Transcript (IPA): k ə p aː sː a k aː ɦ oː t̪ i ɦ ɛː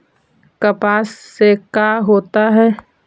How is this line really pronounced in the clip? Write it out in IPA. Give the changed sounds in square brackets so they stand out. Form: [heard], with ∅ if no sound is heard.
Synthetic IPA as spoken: k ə p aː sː [e] k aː ɦ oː t̪ [a] ɦ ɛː